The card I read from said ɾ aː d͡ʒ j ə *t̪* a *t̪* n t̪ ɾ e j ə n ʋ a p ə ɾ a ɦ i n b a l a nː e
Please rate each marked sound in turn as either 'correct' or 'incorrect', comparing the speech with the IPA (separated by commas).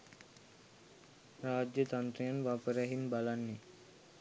correct, incorrect